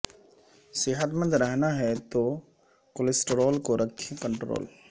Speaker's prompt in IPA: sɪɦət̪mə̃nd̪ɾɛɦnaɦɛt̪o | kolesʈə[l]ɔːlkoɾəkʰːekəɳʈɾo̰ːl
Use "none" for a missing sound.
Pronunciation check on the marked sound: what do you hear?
ɾ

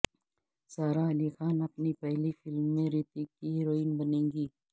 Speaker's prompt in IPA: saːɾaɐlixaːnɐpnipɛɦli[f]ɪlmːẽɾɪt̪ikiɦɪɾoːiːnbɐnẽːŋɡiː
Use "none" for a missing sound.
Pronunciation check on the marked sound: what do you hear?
f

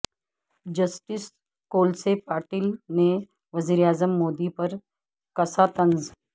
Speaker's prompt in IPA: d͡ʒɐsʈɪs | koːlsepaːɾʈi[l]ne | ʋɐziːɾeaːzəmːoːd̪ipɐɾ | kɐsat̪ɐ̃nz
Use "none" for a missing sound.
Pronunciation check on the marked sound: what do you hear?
l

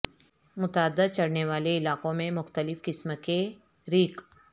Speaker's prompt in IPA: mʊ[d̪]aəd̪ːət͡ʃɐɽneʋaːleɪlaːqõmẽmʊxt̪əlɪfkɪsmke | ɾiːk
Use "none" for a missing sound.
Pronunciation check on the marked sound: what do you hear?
t̪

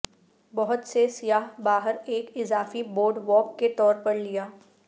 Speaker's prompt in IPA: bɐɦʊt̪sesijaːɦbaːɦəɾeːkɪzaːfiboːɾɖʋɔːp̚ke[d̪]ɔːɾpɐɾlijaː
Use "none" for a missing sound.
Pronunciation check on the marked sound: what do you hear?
t̪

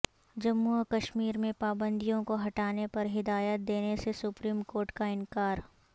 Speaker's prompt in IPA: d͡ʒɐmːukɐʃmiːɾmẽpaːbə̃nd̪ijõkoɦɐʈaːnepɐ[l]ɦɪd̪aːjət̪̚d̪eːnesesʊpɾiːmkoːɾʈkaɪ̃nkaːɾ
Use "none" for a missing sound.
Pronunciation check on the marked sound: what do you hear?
ɾ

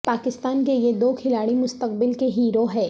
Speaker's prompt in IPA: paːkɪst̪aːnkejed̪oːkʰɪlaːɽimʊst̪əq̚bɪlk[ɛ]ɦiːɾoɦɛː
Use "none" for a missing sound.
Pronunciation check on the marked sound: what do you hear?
e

